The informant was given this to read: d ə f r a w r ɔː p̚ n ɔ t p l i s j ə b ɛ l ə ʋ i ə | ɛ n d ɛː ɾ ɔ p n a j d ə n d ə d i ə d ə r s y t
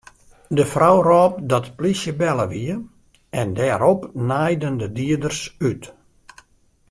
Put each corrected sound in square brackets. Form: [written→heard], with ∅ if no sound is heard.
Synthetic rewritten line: d ə f r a w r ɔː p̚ [n→d] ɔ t p l i s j ə b ɛ l ə ʋ i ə | ɛ n d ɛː ɾ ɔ p n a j d ə n d ə d i ə d ə r s y t